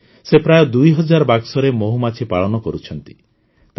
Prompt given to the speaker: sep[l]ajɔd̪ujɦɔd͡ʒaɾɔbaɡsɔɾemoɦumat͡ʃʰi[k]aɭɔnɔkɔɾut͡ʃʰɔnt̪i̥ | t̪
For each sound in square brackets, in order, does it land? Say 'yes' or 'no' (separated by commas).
no, no